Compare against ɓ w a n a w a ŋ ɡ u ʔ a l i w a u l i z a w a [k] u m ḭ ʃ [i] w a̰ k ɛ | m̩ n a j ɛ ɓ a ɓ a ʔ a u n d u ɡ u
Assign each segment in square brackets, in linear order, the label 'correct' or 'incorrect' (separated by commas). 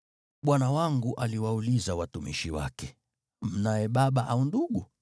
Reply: incorrect, correct